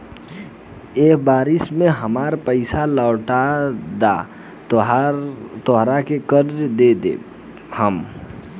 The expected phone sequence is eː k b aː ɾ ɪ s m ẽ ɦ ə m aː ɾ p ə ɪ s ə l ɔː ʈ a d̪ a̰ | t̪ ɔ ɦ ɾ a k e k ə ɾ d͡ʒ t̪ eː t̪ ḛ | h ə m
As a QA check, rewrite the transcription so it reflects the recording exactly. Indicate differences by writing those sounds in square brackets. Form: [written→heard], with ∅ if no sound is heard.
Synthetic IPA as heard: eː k b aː ɾ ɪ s m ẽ ɦ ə m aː ɾ p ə ɪ s [ə→a] l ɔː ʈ a d̪ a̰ | t̪ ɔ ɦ ɾ a k e k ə ɾ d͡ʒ [t̪→d̪] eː [t̪→d̪] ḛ | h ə m